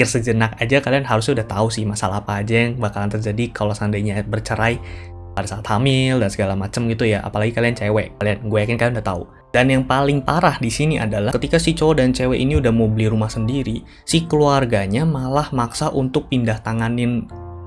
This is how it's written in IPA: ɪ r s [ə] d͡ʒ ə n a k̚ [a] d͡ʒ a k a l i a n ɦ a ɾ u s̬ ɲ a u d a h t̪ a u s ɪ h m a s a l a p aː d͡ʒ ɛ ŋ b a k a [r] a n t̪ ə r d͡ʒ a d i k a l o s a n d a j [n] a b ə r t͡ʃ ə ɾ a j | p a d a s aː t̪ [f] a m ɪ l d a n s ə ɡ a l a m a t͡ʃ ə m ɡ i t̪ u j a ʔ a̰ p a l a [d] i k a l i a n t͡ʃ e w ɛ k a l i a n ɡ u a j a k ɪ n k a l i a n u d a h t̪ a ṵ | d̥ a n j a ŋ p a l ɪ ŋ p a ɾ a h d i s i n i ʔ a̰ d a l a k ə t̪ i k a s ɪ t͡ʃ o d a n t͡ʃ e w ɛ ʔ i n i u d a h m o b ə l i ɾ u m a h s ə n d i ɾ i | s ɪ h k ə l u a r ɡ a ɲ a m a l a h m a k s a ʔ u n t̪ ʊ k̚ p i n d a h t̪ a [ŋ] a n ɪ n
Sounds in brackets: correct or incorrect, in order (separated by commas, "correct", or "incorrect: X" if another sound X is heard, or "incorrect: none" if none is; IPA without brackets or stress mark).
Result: correct, correct, incorrect: l, incorrect: ɲ, incorrect: h, incorrect: ɡ, correct